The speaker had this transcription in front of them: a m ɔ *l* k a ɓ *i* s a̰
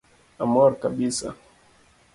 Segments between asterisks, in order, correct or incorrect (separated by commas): incorrect, correct